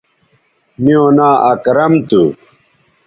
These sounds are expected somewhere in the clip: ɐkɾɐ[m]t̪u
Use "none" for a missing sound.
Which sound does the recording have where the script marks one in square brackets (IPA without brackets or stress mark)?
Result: m